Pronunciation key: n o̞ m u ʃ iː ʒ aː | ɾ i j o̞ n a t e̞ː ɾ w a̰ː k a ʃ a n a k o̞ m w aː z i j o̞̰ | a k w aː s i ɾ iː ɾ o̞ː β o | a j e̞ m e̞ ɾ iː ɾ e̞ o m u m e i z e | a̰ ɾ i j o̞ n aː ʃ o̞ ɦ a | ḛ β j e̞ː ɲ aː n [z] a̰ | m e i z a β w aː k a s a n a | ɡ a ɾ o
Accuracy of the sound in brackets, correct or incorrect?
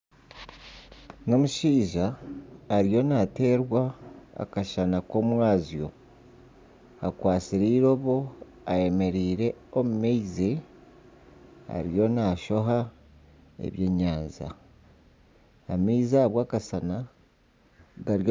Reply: correct